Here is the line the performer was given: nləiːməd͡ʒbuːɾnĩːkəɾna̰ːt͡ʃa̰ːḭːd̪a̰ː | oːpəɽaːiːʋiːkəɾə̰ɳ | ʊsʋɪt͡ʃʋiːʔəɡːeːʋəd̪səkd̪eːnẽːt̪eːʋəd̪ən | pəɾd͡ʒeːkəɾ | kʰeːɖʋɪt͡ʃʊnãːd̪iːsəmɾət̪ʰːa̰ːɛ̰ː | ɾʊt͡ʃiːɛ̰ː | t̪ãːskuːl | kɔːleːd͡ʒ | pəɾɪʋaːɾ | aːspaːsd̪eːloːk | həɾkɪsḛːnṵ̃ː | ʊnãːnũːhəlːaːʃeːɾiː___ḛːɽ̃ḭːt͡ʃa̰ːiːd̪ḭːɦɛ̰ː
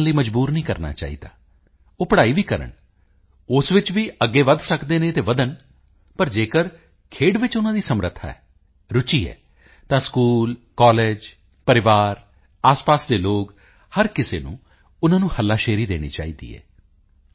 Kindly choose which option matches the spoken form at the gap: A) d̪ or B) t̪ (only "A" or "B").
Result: A